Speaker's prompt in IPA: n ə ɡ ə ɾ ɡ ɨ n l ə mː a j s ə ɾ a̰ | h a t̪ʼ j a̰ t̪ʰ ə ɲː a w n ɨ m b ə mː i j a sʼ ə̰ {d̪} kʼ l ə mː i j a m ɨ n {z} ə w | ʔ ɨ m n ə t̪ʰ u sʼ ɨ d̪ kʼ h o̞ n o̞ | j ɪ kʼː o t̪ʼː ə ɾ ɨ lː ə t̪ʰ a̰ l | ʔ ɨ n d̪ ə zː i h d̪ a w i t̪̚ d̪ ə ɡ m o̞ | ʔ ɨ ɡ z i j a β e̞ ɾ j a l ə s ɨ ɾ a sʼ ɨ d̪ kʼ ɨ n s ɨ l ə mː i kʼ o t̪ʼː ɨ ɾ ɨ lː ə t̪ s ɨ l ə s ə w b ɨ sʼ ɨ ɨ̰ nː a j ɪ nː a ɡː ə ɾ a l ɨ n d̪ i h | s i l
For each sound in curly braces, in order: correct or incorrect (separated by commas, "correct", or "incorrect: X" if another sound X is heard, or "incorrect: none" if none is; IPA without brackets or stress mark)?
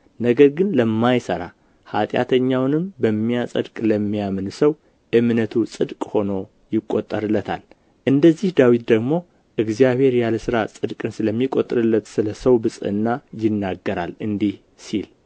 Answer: correct, incorrect: s